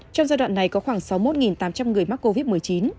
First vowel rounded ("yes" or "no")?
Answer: yes